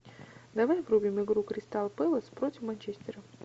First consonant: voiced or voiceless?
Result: voiced